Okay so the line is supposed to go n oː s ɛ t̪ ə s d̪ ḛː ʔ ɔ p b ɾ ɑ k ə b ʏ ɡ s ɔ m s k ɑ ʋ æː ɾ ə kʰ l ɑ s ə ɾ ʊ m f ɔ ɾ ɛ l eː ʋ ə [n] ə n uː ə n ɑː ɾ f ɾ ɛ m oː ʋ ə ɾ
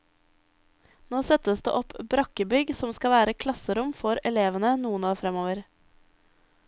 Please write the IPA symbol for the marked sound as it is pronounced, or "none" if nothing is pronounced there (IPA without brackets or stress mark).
n